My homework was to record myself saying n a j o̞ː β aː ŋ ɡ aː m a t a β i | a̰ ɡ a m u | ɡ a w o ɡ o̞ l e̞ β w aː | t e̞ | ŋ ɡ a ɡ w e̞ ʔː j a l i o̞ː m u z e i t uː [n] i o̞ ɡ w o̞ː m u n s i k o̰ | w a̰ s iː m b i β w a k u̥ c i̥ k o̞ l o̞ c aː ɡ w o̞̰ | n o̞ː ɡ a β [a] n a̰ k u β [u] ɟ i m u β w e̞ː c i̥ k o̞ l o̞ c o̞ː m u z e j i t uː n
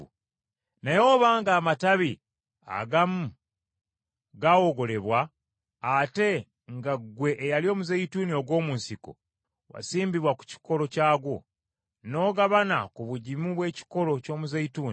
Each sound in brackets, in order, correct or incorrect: correct, correct, correct

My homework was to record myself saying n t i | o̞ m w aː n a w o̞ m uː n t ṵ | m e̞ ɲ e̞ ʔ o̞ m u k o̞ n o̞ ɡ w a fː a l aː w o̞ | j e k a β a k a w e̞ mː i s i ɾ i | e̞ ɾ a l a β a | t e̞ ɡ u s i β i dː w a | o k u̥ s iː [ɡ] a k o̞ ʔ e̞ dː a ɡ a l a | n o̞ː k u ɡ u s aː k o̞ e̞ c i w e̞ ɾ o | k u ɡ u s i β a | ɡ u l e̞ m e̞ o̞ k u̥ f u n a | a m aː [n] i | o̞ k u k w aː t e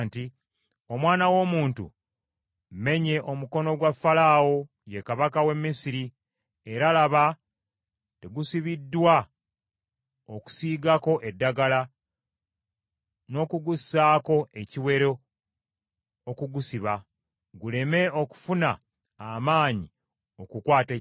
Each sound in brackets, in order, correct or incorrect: correct, incorrect: ɲ

